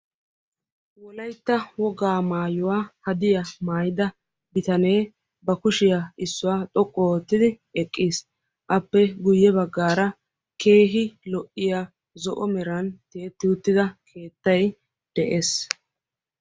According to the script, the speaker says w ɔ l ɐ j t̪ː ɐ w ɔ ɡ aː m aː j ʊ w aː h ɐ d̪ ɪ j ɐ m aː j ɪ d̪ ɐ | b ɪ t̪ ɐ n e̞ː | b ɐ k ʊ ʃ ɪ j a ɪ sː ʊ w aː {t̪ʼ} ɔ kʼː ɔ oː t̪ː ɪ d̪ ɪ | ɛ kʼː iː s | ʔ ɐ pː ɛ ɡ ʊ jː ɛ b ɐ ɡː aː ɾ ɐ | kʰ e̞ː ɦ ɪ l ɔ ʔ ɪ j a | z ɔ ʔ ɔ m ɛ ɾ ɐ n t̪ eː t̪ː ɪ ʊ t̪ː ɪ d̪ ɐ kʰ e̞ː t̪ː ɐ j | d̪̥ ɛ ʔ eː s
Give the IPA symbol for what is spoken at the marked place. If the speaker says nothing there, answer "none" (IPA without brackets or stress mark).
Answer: t̪ʼ